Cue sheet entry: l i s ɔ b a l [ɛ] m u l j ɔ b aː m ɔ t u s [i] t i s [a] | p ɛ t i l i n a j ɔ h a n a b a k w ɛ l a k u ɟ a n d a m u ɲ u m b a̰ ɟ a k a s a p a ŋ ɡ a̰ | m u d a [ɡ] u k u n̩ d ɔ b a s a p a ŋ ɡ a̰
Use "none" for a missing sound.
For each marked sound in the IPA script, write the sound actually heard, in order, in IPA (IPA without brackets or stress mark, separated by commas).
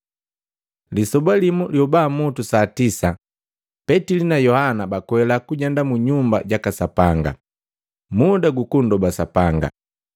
i, a, a, ɡ